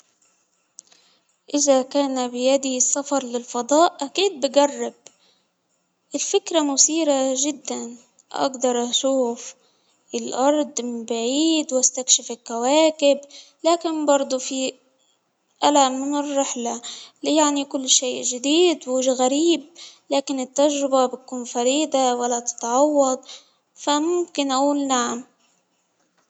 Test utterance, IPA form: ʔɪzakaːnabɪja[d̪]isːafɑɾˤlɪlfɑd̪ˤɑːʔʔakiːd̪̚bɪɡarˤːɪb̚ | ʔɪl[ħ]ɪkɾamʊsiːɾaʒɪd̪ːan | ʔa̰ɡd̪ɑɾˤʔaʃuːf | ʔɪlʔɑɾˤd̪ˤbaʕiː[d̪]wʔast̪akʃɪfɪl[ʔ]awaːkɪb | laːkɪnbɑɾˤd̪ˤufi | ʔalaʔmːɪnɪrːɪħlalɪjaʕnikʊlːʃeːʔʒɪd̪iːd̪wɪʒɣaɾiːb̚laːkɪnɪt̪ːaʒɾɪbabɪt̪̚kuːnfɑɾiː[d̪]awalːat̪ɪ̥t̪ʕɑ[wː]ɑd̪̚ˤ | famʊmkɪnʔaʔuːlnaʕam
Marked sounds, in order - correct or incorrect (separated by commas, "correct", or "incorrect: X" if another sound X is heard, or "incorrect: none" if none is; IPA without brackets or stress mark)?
correct, incorrect: f, correct, incorrect: k, correct, correct